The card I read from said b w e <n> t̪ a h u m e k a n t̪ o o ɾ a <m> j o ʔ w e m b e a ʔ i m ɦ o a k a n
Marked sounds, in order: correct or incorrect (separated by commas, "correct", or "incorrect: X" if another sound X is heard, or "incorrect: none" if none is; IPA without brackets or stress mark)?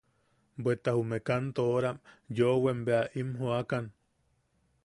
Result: incorrect: none, correct